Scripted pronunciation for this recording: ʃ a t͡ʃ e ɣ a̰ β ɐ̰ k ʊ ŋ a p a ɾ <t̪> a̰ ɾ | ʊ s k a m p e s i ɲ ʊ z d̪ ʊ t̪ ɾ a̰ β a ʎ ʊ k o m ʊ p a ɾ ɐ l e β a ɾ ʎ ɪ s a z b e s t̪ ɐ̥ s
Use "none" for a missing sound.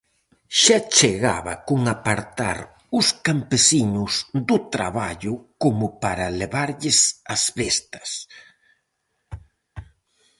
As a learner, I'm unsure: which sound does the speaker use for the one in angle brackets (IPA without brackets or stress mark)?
t̪